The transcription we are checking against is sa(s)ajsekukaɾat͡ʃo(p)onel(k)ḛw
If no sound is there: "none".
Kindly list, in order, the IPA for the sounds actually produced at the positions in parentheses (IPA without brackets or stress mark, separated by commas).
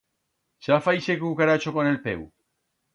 f, k, p